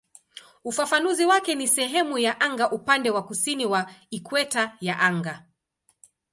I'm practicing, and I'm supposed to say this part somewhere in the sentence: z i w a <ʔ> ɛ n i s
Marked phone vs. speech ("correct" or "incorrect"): incorrect